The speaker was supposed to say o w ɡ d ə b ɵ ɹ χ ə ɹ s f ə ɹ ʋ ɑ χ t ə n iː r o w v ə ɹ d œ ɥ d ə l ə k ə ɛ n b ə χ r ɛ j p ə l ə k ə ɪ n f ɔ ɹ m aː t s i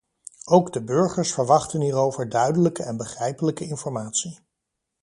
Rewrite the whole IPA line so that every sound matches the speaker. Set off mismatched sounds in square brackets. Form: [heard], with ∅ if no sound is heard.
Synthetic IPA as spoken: o w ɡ d ə b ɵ ɹ χ ə ɹ s f ə ɹ ʋ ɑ χ t ə n iː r o w v ə ɹ d œ ɥ d ə l ə k ə ɛ n b ə χ r ɛ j p ə l ə k ə ɪ n f ɔ ɹ m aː t s i